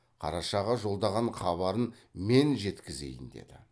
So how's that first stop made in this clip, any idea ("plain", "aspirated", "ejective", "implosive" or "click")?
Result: aspirated